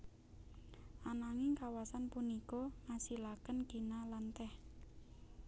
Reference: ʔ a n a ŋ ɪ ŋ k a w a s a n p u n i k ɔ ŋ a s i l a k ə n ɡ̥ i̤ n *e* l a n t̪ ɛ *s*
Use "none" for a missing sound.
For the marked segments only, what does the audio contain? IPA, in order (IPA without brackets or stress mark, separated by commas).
a, h